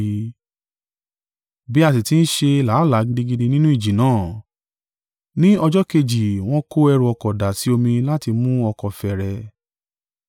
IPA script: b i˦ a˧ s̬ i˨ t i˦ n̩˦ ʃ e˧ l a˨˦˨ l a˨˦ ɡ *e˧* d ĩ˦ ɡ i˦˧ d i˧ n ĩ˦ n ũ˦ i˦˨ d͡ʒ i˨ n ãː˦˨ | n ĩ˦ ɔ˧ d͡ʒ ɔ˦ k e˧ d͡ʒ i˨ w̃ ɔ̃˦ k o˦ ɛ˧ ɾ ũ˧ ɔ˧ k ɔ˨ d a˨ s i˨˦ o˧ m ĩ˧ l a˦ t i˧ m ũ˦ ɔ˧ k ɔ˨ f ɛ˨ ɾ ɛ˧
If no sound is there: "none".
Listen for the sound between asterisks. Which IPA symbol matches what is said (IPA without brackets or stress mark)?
i˧